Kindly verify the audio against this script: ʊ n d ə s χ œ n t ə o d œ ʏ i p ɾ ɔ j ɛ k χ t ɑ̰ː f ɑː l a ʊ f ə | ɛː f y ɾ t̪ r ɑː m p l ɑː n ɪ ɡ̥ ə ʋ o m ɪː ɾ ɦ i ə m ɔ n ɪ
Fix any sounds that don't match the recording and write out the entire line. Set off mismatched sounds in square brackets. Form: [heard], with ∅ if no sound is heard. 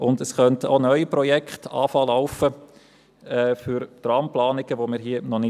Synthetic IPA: ʊ n d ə s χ œ n t ə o [n] œ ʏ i p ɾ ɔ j ɛ k χ t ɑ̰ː f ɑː l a ʊ f ə | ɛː f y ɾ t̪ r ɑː m p l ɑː n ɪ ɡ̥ ə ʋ o m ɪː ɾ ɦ i ə [n] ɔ n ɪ